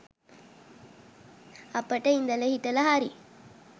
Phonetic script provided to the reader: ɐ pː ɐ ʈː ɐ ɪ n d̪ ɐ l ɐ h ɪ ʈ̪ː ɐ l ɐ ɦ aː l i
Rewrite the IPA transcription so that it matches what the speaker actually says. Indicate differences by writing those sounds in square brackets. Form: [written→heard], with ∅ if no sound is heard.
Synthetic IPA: ɐ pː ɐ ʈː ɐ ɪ n d̪ ɐ l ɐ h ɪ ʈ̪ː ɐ l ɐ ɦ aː [l→ɾ] i